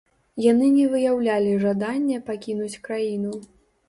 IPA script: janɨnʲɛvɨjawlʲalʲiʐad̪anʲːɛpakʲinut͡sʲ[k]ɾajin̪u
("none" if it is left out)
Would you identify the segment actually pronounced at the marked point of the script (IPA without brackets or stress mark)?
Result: k